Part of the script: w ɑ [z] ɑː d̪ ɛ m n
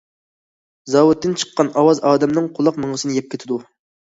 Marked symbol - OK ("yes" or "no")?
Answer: yes